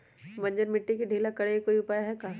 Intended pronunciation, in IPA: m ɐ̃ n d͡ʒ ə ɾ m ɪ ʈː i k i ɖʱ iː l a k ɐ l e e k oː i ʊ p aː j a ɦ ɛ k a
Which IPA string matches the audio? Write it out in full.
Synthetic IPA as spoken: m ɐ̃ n d͡ʒ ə ɾ m ɪ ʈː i k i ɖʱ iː l a k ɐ ɽ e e k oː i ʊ p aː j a ɦ ɛ k a